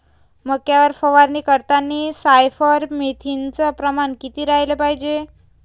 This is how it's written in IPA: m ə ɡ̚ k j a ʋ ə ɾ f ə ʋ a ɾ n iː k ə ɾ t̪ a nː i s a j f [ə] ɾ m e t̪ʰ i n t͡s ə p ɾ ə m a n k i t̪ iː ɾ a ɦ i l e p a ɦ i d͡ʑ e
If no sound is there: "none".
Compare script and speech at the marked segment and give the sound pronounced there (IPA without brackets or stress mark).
ə